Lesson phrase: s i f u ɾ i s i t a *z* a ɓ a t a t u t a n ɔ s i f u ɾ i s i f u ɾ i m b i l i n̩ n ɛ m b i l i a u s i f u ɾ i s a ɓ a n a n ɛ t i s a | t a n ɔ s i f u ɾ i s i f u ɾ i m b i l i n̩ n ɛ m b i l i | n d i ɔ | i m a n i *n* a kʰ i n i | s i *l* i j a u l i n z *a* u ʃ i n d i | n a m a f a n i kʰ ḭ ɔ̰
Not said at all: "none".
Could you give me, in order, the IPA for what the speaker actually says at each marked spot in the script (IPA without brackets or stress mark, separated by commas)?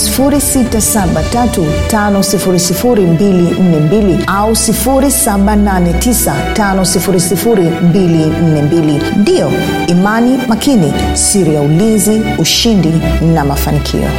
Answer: s, m, ɾ, i